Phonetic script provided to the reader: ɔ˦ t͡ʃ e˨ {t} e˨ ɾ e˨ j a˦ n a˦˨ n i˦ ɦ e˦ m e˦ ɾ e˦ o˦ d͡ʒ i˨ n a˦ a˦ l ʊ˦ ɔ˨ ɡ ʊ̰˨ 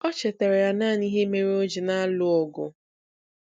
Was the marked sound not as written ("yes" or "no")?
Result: no